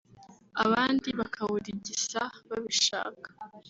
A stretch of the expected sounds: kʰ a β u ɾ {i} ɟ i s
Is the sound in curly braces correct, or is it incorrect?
correct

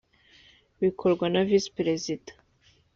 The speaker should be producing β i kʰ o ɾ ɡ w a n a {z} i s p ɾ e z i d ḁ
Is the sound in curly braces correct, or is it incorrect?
incorrect: v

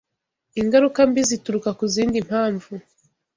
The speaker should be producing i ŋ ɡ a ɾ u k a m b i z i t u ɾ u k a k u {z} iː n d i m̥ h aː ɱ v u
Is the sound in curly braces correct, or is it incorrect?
correct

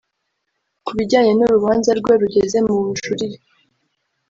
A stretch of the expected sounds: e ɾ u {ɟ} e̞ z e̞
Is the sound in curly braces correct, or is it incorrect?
correct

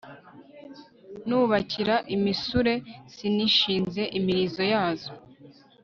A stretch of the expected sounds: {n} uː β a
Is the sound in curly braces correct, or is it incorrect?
correct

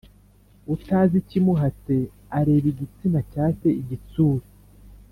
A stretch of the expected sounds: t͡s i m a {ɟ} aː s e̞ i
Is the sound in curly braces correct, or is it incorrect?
incorrect: c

